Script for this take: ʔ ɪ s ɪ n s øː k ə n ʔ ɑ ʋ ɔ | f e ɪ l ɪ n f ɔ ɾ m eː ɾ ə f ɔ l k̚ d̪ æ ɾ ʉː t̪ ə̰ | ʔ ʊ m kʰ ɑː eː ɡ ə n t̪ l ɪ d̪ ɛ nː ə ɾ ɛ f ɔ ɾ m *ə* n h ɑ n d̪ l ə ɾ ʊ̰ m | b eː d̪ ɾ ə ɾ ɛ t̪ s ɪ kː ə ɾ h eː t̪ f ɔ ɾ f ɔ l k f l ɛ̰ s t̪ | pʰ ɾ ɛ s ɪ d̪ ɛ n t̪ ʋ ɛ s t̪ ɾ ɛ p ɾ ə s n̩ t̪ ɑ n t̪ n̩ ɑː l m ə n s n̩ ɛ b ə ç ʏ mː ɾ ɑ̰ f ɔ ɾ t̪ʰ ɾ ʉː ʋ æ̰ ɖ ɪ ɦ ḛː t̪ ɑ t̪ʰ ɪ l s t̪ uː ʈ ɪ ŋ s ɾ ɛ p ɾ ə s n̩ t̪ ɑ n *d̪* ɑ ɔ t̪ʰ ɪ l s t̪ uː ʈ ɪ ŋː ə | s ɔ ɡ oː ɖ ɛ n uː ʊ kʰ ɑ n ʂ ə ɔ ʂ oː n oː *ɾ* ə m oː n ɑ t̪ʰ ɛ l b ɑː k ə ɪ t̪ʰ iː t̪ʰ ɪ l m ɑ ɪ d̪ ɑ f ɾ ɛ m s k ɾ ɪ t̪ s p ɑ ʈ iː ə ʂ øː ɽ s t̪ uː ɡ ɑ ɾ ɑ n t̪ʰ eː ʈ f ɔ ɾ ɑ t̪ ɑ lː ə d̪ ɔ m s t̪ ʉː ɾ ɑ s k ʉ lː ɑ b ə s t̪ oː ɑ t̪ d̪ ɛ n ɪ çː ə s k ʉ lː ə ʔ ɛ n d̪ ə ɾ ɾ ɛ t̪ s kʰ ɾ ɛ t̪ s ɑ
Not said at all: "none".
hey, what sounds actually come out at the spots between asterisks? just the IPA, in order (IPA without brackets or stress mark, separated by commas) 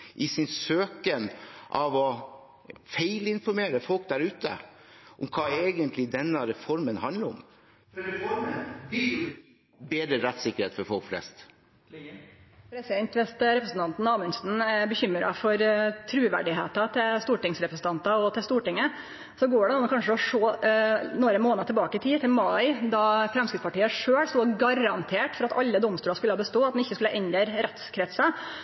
ə, t̪, ɾ